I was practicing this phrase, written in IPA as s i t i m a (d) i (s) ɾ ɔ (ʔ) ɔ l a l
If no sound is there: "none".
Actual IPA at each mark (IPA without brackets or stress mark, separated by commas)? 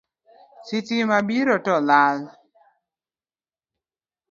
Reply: b, none, t